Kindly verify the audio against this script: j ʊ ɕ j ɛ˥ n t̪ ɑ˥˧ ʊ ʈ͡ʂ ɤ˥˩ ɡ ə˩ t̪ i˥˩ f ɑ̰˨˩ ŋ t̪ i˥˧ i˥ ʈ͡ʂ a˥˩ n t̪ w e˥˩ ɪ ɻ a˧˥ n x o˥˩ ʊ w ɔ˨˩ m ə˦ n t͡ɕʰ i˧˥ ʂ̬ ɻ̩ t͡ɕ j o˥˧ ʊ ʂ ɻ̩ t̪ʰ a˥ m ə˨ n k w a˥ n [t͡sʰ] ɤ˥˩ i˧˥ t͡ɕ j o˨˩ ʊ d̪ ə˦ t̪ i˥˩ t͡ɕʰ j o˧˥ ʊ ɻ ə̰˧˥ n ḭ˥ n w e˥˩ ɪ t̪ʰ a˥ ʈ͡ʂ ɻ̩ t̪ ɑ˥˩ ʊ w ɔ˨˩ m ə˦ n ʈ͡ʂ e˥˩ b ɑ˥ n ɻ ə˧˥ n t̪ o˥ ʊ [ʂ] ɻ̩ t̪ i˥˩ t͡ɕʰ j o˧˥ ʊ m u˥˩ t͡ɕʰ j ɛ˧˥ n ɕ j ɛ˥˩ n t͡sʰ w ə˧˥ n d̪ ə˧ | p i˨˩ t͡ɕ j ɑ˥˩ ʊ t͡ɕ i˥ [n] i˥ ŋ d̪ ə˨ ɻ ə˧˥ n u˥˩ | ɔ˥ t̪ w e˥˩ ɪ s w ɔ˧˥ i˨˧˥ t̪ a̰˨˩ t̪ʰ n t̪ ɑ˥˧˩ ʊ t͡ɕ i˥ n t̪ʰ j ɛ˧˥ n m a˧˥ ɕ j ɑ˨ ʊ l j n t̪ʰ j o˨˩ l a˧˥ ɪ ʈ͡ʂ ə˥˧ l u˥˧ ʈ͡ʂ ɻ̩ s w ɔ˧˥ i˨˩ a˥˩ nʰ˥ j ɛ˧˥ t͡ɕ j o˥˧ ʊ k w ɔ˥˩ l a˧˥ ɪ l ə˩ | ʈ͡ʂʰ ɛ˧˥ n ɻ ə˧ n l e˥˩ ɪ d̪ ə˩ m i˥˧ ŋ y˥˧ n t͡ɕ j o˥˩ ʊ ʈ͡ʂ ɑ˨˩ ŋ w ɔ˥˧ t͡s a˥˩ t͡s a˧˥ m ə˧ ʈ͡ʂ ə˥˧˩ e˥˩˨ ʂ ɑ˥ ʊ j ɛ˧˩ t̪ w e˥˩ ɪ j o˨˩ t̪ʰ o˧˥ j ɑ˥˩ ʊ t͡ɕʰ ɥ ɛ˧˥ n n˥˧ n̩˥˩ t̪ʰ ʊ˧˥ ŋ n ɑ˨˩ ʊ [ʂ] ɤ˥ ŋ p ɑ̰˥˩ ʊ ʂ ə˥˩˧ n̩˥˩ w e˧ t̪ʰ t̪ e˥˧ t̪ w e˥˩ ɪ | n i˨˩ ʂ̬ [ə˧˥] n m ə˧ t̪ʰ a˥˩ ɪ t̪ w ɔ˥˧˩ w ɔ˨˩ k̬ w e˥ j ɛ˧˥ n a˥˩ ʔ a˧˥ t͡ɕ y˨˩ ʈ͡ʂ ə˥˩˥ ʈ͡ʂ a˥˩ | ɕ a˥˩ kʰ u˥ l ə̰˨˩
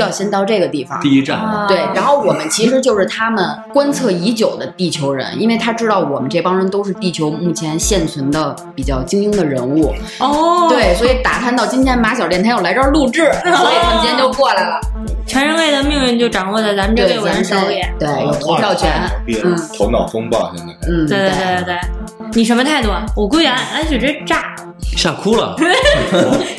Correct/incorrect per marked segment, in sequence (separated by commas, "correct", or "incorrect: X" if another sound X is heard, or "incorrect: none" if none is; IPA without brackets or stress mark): correct, correct, incorrect: ŋ, incorrect: f, correct